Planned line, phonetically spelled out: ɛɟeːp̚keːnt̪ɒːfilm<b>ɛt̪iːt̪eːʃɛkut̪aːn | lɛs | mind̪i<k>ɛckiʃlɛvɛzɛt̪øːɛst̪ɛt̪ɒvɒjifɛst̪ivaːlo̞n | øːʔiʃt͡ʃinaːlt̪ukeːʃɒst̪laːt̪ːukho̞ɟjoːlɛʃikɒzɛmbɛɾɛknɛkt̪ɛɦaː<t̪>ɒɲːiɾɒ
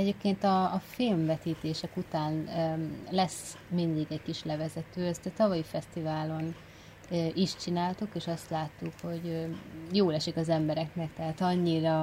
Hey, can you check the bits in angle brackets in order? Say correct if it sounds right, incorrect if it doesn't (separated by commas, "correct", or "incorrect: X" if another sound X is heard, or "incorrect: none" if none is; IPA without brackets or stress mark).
incorrect: v, incorrect: ɡ, correct